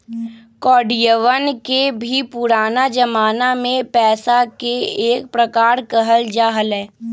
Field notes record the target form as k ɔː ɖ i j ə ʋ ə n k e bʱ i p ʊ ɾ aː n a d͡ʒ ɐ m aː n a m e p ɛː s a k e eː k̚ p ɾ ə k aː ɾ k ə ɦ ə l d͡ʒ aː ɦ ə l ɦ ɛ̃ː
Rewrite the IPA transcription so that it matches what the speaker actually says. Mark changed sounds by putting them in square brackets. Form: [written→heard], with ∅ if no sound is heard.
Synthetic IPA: k ɔː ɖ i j ə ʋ ə n k e bʱ i p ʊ ɾ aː n a d͡ʒ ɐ m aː n a m [e→ẽ] p ɛː s a k e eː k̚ p ɾ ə k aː ɾ k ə ɦ ə l d͡ʒ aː ɦ ə l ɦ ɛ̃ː